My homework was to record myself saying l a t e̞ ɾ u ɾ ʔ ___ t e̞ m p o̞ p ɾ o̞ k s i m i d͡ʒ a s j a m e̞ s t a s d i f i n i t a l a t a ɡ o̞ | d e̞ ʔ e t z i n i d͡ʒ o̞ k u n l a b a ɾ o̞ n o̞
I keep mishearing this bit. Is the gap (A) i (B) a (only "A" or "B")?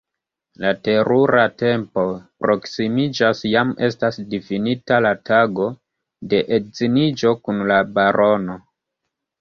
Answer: B